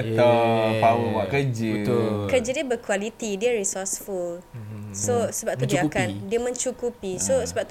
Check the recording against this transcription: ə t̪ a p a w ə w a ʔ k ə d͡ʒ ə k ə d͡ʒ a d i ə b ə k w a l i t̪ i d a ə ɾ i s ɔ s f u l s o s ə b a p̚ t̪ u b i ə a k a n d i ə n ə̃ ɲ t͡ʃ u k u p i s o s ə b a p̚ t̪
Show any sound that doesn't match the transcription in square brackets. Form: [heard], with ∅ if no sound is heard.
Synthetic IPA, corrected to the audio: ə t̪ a p a w ə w a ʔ k ə d͡ʒ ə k ə d͡ʒ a d i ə b ə k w a l i t̪ i d [i] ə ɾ i s ɔ s f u l s o s ə b a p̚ t̪ u [d] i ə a k a n d i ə [m] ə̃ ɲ t͡ʃ u k u p i s o s ə b a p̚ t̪